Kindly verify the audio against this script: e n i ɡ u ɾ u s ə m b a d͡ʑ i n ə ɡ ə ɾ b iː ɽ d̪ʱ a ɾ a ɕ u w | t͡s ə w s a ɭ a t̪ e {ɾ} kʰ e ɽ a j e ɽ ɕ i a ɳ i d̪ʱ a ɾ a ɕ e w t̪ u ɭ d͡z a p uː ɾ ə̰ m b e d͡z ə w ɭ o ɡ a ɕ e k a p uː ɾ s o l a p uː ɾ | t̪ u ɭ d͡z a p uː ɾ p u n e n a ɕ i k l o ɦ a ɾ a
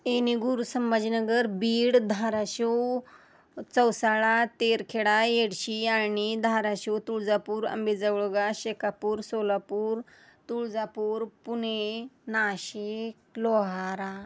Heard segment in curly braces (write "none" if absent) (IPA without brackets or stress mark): ɾ